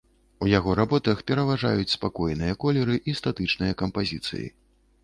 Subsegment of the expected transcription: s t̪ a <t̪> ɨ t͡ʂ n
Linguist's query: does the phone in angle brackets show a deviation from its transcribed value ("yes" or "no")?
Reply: no